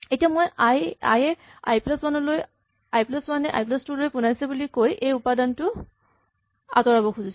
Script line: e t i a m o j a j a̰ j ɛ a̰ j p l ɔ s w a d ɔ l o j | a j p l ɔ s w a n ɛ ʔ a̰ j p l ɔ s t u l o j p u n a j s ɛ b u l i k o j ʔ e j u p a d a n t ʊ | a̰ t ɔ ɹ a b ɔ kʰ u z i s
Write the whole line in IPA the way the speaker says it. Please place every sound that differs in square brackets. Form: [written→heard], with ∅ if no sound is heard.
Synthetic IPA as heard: e t i a m o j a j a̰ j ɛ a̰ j p l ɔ s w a [d→n] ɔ l o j | a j p l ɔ s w a n ɛ ʔ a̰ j p l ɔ s t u l o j p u n a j s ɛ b u l i k o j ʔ e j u p a d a n t ʊ | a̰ t ɔ ɹ a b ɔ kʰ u z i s